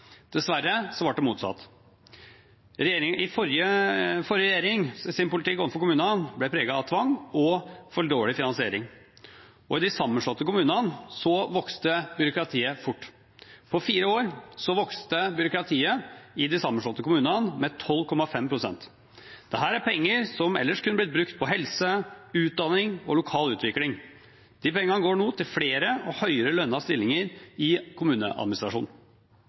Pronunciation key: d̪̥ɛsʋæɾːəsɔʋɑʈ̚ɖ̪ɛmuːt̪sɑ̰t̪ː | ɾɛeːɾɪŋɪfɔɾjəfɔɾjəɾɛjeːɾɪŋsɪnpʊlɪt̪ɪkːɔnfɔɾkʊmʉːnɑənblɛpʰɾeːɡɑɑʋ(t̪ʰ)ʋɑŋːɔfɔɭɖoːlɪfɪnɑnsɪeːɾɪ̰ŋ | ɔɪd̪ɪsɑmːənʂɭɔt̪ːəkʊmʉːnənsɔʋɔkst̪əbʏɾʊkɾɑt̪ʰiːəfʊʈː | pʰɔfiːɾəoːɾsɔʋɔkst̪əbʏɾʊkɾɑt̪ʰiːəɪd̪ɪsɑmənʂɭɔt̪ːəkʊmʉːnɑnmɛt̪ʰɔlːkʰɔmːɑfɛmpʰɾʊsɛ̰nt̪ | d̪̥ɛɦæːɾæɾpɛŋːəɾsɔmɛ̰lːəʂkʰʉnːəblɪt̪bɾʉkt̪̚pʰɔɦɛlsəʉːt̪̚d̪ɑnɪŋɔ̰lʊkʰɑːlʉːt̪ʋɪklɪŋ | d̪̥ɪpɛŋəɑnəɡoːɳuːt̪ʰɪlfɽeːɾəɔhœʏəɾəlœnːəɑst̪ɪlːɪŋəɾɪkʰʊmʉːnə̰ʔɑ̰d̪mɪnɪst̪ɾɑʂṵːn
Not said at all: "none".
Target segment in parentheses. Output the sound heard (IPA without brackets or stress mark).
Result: t̪ʰ